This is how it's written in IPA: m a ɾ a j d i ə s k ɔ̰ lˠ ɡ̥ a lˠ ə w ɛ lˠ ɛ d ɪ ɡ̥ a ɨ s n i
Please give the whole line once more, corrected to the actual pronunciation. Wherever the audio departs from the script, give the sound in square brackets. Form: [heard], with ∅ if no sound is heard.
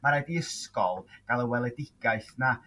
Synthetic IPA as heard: m a ɾ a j d i ə s k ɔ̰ lˠ ɡ̥ a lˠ ə w ɛ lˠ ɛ d ɪ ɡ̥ a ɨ [θ] n [a]